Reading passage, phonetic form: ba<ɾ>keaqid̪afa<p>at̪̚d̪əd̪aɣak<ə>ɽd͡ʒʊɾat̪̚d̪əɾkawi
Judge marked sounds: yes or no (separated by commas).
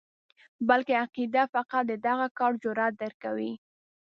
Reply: no, no, no